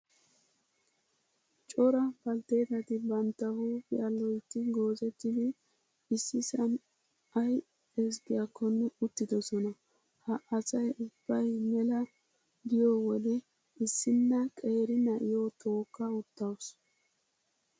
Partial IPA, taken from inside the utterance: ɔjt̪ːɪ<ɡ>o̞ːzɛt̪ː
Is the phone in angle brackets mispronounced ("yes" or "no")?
no